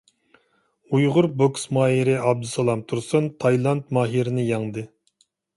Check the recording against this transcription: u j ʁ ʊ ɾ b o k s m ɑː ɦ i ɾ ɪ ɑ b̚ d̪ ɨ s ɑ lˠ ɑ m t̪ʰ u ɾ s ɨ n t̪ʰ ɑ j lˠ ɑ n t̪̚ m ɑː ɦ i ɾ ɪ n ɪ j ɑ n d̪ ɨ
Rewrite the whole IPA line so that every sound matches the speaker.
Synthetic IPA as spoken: u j ʁ ʊ ɾ b o k s m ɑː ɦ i ɾ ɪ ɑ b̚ d̪ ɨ s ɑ lˠ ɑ m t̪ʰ u ɾ s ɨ n t̪ʰ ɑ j lˠ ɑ n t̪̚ m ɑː ɦ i ɾ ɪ n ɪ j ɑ ŋ d̪ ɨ